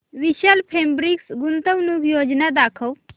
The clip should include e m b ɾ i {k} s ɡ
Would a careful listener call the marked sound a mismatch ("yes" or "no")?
no